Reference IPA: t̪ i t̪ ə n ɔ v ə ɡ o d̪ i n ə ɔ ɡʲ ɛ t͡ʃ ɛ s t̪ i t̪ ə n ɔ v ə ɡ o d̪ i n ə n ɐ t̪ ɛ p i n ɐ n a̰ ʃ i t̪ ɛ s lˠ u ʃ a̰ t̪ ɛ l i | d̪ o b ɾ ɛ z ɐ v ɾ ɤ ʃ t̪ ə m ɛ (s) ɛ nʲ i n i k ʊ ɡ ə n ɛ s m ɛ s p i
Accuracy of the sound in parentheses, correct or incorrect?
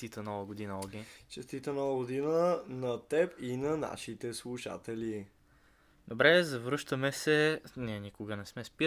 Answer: correct